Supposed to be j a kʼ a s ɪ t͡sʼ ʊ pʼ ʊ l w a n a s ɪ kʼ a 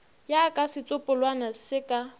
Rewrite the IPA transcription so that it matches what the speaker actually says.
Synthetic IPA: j a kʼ a s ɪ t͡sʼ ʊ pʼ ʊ l w a n a s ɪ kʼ a